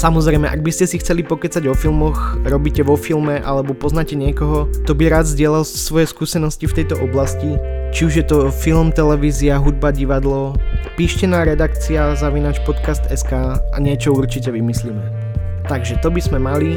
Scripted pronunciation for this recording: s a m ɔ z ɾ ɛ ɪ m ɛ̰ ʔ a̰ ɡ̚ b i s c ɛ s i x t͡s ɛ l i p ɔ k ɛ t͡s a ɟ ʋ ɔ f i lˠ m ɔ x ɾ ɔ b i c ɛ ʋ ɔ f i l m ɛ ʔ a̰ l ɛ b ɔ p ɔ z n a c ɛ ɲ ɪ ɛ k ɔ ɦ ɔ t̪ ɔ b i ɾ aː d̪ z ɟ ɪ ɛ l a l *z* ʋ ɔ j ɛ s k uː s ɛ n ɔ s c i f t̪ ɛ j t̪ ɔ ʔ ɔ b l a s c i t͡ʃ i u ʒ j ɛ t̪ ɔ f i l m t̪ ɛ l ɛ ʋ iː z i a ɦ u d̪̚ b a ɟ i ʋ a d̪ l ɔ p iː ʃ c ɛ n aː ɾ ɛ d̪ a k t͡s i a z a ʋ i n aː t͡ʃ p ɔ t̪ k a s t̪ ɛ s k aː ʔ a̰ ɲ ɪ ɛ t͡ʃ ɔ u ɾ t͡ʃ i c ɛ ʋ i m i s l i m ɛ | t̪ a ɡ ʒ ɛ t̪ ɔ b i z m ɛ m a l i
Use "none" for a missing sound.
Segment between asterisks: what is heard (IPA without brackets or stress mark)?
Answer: s